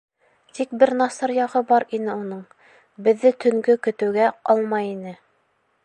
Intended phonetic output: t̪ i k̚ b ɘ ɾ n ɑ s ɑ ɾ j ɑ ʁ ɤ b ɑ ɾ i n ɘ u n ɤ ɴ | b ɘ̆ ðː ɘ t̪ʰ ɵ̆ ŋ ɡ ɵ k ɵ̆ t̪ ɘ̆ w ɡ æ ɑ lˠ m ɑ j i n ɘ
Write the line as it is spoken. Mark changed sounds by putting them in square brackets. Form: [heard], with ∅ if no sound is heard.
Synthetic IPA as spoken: t̪ i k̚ b ɘ ɾ n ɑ s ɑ ɾ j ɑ ʁ ɤ b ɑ ɾ i n ɘ u n ɤ ɴ | b ɘ̆ ðː ɘ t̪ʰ ɵ̆ ŋ ɡ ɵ k ɵ̆ t̪ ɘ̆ w ɡ æ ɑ lˠ m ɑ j i n ɘ